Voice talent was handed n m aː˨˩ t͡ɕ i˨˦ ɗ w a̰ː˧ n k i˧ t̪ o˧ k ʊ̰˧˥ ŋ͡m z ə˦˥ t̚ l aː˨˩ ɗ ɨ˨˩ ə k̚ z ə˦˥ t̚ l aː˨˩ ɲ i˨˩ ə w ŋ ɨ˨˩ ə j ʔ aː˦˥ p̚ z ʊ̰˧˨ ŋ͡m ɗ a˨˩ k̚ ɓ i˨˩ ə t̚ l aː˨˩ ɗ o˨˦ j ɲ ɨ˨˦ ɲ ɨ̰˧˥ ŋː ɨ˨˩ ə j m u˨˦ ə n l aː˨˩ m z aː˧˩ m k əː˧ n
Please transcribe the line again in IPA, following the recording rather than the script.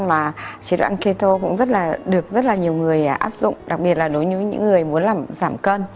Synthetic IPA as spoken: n m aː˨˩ t͡ɕ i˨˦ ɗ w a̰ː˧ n k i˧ t̪ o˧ k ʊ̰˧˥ ŋ͡m z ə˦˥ t̚ l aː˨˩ ɗ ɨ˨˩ ə k̚ z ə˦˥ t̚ l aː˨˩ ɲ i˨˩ ə w ŋ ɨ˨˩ ə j ʔ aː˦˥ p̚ z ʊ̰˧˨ ŋ͡m ɗ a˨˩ k̚ ɓ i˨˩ ə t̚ l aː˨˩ ɗ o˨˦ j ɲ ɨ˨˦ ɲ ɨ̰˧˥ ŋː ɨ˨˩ ə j m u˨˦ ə n l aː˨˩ m z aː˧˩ m k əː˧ n